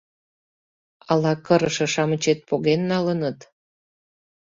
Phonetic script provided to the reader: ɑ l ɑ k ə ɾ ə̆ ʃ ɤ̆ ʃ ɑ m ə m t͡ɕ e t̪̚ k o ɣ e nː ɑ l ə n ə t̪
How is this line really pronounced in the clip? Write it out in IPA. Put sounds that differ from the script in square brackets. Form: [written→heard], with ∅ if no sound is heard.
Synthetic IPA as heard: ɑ l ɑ k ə ɾ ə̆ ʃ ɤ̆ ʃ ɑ m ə [m→∅] t͡ɕ e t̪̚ [k→p] o ɣ e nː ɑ l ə n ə t̪

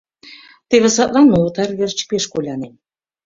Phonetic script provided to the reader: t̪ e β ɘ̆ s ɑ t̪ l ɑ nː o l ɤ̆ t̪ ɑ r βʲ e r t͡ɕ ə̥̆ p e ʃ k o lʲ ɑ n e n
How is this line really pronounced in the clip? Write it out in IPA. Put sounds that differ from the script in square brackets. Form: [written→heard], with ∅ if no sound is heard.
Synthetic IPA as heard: t̪ e β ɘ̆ s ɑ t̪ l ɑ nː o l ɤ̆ t̪ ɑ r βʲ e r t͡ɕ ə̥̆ p e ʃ k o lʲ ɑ n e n

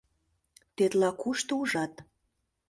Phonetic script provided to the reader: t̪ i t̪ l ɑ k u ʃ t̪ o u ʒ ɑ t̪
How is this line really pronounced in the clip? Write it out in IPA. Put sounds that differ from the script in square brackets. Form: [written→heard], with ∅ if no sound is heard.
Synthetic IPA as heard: t̪ [i→e] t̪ l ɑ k u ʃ t̪ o u ʒ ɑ t̪

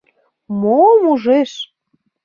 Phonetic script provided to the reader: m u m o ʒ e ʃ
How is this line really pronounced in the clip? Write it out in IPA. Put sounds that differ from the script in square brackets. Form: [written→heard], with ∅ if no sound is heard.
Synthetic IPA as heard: m [u→o] m [o→u] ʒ e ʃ

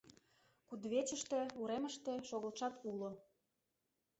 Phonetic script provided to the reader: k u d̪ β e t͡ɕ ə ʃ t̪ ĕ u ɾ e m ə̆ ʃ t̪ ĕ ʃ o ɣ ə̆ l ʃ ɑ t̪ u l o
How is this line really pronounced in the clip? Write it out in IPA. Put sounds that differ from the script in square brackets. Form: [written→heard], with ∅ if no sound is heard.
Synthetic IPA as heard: k u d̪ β e t͡ɕ ə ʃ t̪ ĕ u ɾ e m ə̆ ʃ t̪ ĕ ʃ o ɣ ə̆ l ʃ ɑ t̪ u l o

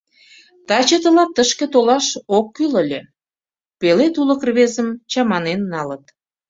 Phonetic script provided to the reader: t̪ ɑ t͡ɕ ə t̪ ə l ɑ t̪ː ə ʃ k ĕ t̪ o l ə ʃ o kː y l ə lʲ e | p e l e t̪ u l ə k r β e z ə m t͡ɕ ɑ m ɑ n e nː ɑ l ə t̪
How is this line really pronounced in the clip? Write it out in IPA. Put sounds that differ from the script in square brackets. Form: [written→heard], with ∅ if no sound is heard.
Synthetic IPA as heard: t̪ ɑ t͡ɕ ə t̪ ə l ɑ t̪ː ə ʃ k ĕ t̪ o l [ə→ɑ] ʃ o kː y l ə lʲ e | p e l e t̪ u l ə k r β e z ə m t͡ɕ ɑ m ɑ n e nː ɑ l ə t̪

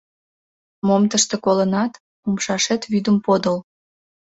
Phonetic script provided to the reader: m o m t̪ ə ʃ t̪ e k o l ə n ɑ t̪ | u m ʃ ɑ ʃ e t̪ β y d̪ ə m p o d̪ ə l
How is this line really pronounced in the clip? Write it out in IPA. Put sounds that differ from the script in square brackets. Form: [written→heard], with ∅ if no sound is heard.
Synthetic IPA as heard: m o m t̪ ə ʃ t̪ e k o l ə n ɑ t̪ | u m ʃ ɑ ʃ e t̪ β y d̪ ə m p o d̪ ə l

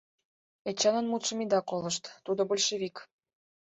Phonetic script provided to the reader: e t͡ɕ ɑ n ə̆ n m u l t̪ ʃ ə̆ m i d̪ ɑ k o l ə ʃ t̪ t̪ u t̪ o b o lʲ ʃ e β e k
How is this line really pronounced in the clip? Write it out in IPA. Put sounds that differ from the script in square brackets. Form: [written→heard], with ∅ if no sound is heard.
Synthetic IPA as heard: e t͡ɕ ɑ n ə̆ n m u [l→∅] t̪ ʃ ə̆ m i d̪ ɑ k o l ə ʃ t̪ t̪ u [t̪→d̪] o b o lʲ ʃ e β [e→i] k

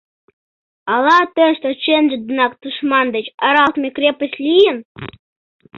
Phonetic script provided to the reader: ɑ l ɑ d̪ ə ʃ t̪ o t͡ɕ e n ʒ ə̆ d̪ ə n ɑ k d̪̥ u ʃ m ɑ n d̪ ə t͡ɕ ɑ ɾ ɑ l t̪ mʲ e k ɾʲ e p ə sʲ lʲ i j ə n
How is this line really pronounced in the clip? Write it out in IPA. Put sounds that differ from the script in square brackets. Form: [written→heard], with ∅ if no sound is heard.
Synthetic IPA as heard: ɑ l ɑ [d̪→t̪] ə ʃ t̪ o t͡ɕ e n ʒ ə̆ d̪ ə n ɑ k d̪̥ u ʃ m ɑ n d̪ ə t͡ɕ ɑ ɾ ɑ l t̪ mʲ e k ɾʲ e p ə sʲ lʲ i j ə n

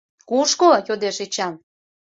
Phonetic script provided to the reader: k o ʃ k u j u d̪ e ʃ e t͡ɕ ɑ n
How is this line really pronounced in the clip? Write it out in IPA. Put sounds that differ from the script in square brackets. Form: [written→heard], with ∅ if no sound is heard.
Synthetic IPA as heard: k [o→u] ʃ k [u→o] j [u→o] d̪ e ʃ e t͡ɕ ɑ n

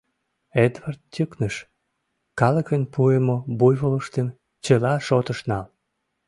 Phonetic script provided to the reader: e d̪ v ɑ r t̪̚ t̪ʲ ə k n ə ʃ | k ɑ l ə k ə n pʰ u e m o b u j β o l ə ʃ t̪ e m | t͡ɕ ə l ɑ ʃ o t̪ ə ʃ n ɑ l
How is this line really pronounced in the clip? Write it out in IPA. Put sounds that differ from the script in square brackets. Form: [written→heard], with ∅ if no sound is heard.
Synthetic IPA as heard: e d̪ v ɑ r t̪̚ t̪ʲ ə k n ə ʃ | k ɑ l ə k ə n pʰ u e m o b u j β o l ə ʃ t̪ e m | t͡ɕ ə l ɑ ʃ o t̪ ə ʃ n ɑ l

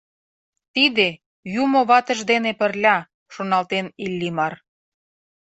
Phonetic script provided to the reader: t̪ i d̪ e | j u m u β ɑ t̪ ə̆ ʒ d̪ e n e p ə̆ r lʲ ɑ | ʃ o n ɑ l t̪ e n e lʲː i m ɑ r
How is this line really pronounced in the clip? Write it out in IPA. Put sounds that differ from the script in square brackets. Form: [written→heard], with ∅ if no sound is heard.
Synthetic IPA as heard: t̪ i d̪ e | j u m [u→o] β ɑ t̪ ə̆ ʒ d̪ e n e p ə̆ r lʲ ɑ | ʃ o n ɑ l t̪ e n [e→i] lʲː i m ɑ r

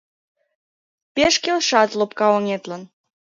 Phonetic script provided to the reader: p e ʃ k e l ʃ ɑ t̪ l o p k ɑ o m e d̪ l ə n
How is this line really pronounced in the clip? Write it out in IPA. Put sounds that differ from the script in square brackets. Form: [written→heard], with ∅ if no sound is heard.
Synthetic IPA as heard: p e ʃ k e l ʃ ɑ t̪ l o p k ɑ o [m→ŋ] e [d̪→t̪] l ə n

